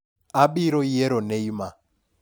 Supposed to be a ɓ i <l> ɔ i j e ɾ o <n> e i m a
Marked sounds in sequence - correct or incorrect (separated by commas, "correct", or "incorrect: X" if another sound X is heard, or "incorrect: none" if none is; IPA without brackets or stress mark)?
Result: incorrect: ɾ, correct